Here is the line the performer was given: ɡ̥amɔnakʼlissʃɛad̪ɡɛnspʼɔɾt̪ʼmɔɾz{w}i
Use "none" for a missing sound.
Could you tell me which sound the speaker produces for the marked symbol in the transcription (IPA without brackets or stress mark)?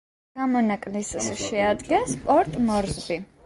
b